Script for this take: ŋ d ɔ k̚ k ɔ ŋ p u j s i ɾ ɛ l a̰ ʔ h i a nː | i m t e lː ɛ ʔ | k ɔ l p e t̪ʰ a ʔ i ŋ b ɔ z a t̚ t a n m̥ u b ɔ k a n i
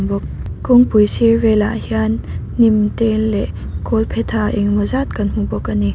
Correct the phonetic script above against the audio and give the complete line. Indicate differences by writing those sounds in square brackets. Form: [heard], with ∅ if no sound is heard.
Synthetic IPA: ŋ [b] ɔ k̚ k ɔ ŋ p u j s i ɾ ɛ l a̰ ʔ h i a nː | i m t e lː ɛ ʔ | k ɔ l [pʰ] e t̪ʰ a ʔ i ŋ [m] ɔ z a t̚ [k] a n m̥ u b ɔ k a n i